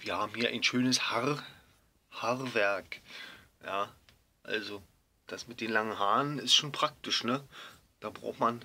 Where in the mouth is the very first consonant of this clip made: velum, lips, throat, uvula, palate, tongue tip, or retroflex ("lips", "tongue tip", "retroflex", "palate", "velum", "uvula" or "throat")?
lips